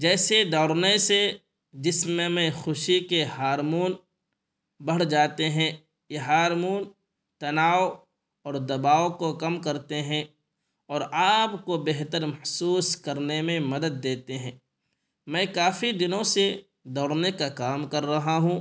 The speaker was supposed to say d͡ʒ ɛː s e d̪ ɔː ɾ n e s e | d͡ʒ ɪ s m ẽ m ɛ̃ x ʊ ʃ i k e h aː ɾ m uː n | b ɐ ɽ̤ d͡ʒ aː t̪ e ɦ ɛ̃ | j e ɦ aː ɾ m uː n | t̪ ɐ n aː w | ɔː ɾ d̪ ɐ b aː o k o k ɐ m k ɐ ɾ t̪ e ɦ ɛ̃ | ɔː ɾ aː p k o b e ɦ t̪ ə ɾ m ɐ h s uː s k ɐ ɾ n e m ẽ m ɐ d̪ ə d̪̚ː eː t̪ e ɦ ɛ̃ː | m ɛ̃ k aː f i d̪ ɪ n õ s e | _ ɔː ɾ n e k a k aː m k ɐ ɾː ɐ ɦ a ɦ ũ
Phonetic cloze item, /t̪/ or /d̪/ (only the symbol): d̪